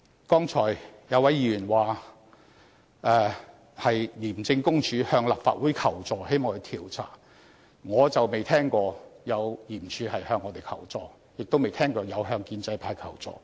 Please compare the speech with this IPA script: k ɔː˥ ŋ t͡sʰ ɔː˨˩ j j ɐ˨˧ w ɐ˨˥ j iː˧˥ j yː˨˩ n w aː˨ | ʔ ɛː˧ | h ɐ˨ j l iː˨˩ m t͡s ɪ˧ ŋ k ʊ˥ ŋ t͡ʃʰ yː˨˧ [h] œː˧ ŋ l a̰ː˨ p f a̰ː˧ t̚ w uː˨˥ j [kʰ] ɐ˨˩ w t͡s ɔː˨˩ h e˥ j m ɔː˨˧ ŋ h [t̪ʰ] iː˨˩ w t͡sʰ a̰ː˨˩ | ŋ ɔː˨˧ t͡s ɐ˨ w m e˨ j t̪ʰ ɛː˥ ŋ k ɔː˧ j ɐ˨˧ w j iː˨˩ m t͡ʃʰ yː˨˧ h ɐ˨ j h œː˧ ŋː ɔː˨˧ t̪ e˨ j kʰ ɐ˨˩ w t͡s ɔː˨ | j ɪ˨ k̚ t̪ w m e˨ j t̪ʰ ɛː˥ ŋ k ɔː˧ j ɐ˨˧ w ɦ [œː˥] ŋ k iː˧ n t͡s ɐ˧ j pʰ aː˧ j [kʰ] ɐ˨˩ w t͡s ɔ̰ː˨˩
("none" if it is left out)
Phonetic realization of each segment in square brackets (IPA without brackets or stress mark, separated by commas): h, kʰ, t̪ʰ, œː˧, kʰ